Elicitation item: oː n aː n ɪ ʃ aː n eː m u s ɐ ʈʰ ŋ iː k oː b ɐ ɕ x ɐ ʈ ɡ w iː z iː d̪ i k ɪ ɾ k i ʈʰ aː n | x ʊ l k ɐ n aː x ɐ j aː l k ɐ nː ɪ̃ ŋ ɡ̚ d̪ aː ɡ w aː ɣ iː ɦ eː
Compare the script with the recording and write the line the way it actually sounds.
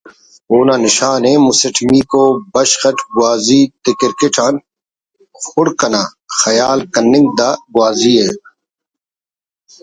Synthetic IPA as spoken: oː n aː n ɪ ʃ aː n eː m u s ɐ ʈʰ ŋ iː k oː b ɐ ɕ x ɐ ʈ ɡ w aː z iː t̪ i k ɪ ɾ k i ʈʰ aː n | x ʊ ɽ k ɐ n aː x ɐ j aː l k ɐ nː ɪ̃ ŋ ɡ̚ d̪ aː ɡ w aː z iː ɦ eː